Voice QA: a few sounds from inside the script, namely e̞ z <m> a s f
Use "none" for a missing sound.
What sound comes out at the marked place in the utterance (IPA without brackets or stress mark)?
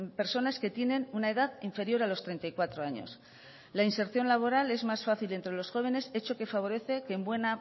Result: m